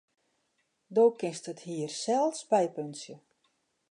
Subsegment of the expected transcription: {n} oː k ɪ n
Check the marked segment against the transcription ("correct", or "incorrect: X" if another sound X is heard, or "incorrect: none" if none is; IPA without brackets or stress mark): incorrect: d